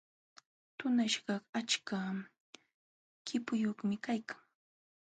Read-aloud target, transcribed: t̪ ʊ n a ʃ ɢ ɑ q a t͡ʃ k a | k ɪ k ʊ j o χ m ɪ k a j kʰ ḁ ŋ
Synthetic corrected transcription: t̪ ʊ n a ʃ ɢ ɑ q a t͡ʃ k a | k ɪ p ʊ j o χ m ɪ k a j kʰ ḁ ŋ